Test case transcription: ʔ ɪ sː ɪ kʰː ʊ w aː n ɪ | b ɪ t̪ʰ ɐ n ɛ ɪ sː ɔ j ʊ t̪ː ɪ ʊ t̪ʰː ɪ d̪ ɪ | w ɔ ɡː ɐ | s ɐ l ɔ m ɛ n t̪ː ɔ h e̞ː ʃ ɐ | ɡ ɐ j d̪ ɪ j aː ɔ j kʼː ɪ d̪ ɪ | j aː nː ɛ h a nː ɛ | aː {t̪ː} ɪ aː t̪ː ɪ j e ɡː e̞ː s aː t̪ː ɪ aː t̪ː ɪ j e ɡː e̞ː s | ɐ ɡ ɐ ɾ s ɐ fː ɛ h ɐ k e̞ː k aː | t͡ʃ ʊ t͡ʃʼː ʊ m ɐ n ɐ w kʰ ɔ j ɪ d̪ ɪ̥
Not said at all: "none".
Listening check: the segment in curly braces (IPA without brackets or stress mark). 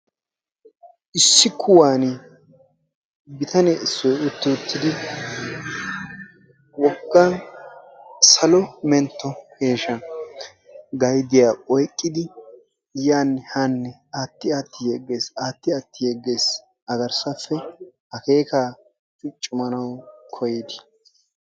t̪ː